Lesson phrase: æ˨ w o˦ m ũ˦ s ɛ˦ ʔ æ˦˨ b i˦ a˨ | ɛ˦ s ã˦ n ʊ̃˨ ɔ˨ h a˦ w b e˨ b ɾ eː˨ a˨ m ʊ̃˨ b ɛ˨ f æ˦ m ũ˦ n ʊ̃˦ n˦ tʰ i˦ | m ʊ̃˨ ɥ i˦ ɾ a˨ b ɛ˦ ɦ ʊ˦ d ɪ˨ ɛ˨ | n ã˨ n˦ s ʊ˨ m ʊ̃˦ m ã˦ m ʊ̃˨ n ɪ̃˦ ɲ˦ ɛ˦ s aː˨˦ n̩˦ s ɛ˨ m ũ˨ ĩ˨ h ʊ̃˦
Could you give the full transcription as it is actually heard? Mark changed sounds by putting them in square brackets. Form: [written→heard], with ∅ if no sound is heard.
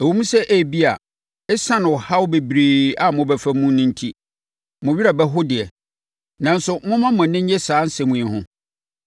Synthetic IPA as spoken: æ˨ w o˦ m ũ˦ s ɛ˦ ʔ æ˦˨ b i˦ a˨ | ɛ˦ s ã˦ n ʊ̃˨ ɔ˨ h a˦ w b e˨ b ɾ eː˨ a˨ m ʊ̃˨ b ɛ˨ f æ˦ m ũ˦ n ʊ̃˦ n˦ tʰ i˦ | m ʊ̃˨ ɥ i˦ ɾ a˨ b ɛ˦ ɦ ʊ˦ d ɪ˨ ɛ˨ | n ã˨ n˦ s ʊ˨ m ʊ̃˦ m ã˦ m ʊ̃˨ n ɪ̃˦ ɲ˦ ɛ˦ s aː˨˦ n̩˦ s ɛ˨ m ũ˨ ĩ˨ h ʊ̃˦